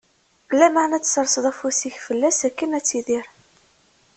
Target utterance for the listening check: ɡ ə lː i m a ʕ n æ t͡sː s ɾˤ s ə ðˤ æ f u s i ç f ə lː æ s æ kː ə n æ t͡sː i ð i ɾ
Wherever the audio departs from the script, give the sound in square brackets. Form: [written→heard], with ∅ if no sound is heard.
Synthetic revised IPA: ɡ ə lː [i→æ] m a ʕ n æ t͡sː s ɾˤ s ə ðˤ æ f u s i ç f ə lː æ s æ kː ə n æ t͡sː i ð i ɾ